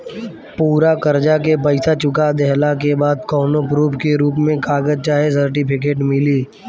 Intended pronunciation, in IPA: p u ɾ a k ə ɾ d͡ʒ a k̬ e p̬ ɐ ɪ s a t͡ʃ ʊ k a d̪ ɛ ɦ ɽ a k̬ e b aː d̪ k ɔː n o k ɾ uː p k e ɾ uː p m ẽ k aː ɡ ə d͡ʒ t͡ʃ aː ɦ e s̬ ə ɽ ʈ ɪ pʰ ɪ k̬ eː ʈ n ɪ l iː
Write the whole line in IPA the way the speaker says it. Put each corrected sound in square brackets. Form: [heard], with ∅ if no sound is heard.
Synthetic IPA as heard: p [uː] ɾ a k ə ɾ d͡ʒ a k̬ e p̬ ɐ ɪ s a t͡ʃ ʊ k a d̪ ɛ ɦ [l] a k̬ e b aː d̪ k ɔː n o [p] ɾ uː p k e ɾ uː p m ẽ k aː ɡ ə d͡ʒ t͡ʃ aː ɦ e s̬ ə [ɾ] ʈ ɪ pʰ ɪ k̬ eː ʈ [m] ɪ l iː